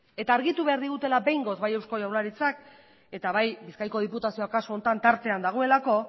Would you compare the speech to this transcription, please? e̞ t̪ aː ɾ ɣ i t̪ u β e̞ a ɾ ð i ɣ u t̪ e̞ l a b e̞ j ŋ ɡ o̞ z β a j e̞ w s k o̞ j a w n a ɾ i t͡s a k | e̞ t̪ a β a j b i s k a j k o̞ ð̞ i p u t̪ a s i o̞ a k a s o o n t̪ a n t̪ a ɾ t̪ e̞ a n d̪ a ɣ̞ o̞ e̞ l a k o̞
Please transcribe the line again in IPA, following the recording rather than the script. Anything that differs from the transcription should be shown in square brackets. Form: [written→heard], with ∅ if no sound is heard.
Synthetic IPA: e̞ t̪ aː ɾ ɣ i t̪ u β e̞ a ɾ ð i ɣ u t̪ e̞ l a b e̞ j ŋ ɡ o̞ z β a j e̞ w s k o̞ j a w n a ɾ i t͡s a k | e̞ t̪ a β a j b i s k a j k o̞ ð̞ i p u t̪ a s i o̞ a k a s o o n t̪ a n t̪ a ɾ t̪ e̞ a n d̪ a ɣ̞ o̞ e̞ l a k o̞